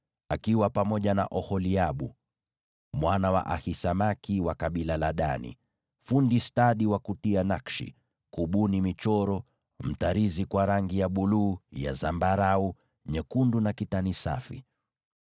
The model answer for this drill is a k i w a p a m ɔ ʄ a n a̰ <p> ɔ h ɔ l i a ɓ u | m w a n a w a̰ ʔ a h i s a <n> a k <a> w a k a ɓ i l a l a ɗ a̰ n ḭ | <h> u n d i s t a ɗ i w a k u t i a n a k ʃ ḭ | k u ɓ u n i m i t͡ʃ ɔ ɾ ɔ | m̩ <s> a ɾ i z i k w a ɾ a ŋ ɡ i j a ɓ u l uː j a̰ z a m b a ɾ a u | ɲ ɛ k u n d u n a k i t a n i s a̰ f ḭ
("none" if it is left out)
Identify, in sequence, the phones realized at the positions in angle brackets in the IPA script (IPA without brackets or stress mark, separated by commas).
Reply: ʔ, m, i, f, t